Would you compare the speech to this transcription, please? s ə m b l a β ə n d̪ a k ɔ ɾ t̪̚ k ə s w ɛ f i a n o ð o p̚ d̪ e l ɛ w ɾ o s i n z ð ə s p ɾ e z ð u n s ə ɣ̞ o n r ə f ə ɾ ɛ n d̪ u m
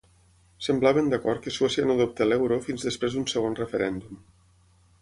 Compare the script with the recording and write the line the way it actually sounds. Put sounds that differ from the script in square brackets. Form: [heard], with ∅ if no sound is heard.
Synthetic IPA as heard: s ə m b l a β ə n d̪ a k ɔ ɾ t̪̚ k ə s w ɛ [s] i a n o ð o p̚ [t̪] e l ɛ w ɾ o [f] i n z ð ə s p ɾ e z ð u n s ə ɣ̞ o n r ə f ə ɾ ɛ n d̪ u m